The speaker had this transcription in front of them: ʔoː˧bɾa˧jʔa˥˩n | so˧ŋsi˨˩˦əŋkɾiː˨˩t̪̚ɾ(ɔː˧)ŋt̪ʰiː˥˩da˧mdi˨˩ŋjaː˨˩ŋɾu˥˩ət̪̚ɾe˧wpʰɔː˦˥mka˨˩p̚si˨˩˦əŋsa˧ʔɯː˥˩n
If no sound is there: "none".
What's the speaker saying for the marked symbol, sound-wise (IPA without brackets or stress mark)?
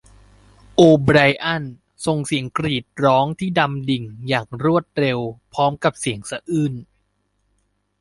ɔː˦˥